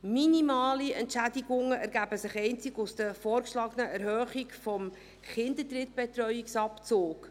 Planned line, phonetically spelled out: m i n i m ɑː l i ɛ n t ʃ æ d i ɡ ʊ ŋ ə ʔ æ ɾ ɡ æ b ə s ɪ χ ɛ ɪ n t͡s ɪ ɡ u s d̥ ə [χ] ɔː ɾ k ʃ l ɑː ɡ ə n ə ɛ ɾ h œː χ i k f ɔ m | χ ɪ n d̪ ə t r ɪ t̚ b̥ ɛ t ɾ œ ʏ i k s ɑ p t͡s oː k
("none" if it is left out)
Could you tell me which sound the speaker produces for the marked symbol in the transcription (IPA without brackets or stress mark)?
f